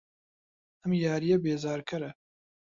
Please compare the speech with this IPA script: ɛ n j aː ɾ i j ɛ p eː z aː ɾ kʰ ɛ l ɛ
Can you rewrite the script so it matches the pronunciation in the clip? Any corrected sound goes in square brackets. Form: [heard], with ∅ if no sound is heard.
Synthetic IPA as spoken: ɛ [m] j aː ɾ i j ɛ [b] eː z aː ɾ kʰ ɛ [ɾ] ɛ